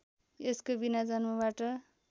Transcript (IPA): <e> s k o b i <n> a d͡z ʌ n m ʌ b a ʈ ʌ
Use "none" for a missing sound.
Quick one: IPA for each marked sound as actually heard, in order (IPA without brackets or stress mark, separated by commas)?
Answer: e, n